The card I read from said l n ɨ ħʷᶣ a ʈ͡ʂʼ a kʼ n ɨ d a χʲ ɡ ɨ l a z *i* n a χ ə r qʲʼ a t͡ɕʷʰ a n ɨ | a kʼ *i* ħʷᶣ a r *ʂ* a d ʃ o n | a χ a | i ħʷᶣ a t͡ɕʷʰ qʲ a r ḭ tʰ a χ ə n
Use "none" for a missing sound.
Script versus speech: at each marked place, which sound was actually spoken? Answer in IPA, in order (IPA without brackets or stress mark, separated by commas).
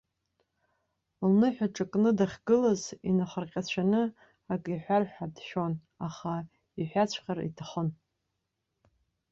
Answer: i, i, ħ